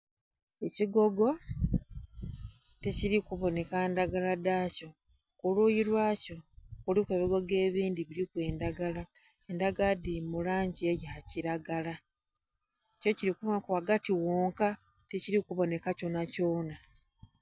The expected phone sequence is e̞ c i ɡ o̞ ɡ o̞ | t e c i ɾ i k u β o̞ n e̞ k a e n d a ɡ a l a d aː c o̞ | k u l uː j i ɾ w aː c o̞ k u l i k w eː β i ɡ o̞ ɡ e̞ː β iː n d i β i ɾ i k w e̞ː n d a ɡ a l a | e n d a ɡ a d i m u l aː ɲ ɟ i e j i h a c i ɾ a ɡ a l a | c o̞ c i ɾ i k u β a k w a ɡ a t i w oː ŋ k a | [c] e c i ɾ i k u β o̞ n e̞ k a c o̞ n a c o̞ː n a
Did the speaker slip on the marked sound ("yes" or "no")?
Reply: yes